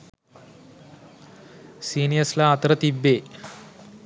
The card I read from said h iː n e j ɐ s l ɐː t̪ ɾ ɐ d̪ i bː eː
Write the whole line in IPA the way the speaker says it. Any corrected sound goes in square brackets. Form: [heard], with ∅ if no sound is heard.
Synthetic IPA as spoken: [s] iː n [i] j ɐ s l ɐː t̪ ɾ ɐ [t̪] i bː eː